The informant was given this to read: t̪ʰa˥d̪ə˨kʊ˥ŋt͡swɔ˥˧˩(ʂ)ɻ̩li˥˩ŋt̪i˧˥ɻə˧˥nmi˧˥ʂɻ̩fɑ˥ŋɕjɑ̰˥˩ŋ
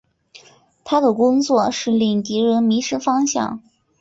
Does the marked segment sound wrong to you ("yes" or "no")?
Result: no